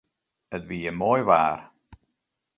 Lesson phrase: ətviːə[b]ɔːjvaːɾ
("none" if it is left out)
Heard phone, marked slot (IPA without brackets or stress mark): m